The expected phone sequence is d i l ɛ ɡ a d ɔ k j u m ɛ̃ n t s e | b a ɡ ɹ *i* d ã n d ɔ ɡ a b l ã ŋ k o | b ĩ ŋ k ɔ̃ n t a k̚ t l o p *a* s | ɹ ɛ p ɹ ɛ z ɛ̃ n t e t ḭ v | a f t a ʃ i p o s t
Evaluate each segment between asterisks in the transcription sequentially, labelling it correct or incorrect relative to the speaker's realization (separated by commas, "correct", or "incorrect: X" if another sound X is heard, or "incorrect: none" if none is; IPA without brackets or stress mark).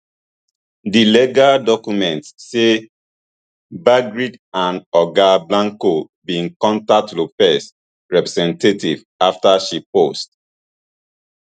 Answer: correct, incorrect: ɛ